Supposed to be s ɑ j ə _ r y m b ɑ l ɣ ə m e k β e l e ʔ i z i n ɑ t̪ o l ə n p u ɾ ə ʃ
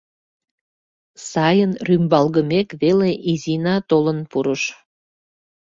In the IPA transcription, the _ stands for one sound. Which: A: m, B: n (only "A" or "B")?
B